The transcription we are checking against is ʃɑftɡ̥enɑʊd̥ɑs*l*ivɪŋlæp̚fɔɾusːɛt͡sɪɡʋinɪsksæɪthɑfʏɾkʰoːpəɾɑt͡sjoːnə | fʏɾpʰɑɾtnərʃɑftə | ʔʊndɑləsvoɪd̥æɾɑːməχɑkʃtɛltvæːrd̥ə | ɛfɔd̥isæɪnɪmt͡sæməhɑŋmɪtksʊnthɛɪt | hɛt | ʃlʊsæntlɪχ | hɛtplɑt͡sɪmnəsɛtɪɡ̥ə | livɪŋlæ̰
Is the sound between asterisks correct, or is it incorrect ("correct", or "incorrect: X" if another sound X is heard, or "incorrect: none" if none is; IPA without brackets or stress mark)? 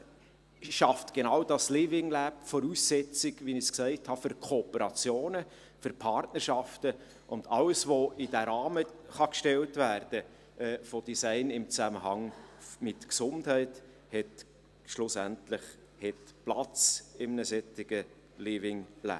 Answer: correct